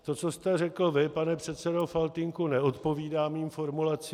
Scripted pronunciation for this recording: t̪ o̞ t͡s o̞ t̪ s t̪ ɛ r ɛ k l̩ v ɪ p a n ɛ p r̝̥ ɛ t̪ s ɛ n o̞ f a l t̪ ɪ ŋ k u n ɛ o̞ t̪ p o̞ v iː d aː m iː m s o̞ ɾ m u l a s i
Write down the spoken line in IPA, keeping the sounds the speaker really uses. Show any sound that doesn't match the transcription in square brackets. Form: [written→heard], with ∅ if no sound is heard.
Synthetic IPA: t̪ o̞ t͡s o̞ [t̪→∅] s t̪ ɛ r ɛ k l̩ v ɪ p a n ɛ p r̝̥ ɛ t̪ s ɛ [n→d] o̞ f a l t̪ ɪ ŋ k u n ɛ o̞ t̪ p o̞ v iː d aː m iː m [s→f] o̞ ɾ m u l a [s→t͡s] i